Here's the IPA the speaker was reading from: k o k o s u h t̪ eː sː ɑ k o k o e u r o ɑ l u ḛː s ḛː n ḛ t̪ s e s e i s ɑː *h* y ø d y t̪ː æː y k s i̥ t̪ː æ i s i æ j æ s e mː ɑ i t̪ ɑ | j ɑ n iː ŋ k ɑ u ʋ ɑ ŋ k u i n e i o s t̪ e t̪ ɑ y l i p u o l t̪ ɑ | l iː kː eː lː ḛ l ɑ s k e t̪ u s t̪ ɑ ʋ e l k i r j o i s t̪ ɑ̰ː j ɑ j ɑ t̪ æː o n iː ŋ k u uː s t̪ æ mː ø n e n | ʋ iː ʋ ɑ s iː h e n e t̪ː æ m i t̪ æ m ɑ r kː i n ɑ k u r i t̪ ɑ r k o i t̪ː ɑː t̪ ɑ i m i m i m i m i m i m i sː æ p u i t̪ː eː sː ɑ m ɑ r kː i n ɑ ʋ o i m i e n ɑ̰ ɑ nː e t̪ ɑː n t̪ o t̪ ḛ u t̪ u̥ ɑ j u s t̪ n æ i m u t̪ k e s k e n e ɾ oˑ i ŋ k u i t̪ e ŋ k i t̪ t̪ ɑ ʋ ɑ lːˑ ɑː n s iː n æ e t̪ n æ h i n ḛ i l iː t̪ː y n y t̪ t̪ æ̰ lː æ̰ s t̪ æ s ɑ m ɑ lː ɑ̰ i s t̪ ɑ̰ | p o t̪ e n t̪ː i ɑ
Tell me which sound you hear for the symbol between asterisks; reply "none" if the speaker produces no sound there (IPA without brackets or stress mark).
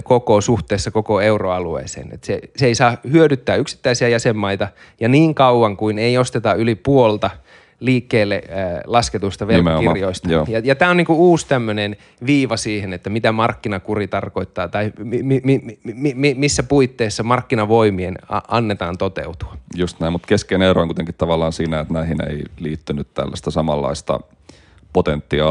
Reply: h